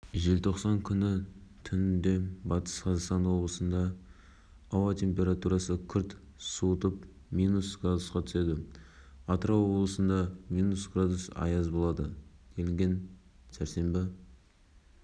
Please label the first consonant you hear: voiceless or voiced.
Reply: voiced